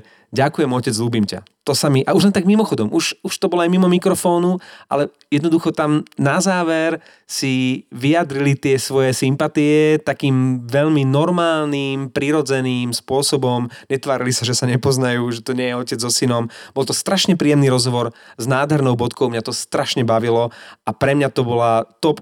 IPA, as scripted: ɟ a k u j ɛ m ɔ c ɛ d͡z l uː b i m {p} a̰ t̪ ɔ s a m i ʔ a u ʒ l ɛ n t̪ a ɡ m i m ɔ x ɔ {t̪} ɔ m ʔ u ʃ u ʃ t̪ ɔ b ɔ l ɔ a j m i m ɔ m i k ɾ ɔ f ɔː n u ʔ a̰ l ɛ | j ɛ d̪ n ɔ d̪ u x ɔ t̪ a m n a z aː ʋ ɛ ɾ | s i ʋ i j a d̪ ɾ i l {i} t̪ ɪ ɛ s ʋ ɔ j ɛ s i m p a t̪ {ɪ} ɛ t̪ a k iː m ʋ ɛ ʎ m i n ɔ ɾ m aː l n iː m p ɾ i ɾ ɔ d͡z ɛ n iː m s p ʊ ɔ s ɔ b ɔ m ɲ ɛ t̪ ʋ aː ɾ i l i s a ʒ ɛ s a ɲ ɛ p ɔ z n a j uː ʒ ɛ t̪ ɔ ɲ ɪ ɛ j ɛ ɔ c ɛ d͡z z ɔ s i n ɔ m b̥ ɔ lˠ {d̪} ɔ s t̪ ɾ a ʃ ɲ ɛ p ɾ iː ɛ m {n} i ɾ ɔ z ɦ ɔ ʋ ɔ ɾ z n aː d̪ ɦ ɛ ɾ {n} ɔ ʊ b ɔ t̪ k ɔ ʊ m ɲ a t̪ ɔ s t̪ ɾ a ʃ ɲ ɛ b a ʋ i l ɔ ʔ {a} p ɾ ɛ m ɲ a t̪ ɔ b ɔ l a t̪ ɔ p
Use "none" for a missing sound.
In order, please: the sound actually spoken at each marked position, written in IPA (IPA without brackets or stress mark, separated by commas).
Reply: c, d̪, i, i, t̪, n, n, a